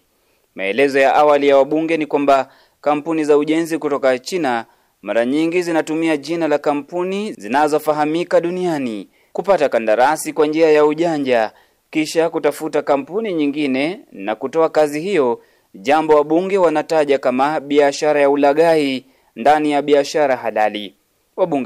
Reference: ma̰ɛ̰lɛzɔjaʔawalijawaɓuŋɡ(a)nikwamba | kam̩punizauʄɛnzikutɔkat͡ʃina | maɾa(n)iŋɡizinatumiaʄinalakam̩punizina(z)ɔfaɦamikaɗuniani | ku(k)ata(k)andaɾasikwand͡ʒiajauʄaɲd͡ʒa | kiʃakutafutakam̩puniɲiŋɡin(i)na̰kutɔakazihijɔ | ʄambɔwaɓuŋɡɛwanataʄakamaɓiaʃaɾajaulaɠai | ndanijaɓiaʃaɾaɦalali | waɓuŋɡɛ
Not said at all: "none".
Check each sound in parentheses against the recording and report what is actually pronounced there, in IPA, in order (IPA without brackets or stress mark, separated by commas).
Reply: ɛ, ɲ, z, p, k, ɛ